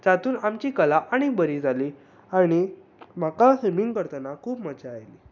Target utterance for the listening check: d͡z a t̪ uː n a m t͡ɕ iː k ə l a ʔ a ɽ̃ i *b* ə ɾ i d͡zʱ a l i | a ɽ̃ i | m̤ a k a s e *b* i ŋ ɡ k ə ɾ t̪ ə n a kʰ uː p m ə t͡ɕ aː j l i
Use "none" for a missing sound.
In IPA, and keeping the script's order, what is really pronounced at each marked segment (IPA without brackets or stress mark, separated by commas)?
b, m